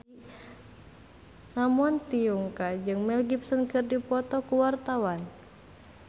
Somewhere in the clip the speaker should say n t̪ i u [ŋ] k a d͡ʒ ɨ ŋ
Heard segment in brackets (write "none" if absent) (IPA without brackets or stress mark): ŋ